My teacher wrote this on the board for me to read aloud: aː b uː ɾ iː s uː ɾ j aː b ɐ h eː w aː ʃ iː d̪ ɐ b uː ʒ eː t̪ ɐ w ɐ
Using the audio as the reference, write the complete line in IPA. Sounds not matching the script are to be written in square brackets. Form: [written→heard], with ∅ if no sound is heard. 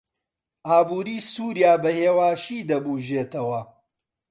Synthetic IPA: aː b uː ɾ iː s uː ɾ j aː b ɐ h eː w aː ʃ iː d̪ ɐ b uː ʒ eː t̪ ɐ w ɐ